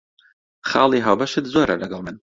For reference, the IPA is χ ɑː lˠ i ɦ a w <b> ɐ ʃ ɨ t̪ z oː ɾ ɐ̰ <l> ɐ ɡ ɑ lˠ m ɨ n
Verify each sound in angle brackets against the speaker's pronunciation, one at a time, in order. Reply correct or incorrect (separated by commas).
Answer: correct, correct